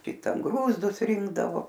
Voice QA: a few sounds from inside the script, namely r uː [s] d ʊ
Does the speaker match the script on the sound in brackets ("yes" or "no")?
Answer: no